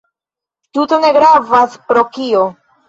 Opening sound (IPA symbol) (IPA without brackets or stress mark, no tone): t